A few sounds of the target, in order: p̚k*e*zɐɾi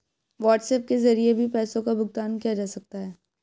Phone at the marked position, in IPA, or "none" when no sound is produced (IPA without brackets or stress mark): e